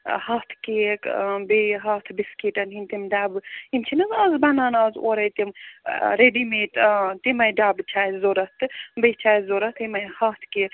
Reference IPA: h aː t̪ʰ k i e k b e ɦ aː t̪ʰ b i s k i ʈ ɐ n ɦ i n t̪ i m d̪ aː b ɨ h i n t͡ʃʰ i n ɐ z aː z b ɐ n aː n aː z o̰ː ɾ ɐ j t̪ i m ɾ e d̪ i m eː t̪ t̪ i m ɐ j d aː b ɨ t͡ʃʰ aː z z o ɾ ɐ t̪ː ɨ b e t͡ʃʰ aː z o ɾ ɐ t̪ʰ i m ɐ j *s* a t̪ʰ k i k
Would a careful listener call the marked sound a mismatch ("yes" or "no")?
yes